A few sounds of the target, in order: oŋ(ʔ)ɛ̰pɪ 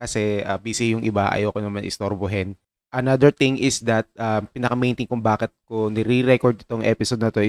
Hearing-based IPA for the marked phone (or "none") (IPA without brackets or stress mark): ʔ